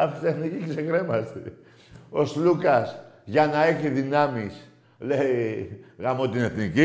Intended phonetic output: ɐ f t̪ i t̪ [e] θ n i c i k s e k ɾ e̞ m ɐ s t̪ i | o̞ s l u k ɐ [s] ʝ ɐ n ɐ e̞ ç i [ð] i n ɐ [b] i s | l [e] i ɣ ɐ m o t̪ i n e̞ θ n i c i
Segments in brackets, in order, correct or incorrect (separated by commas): correct, correct, correct, incorrect, correct